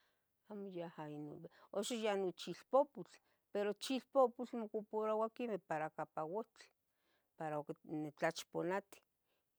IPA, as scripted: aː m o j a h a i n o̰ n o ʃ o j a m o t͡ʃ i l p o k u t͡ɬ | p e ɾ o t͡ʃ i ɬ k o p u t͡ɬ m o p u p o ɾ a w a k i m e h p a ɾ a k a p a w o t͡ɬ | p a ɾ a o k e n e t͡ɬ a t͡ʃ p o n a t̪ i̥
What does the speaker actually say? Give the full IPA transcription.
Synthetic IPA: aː m o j a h a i n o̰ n o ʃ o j a n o t͡ʃ i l p o p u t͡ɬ | p e ɾ o t͡ʃ i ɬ p o p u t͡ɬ m o k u p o ɾ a w a k i m e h p a ɾ a k a p a w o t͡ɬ | p a ɾ a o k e n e t͡ɬ a t͡ʃ p o n a t̪ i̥